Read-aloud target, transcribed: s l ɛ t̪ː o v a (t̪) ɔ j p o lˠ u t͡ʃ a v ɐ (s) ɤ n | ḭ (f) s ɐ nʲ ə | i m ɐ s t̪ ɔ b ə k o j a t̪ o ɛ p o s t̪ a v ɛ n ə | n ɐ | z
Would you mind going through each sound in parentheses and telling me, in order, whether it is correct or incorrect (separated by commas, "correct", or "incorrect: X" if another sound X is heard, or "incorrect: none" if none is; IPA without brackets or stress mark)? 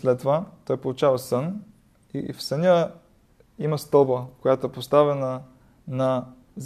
correct, correct, correct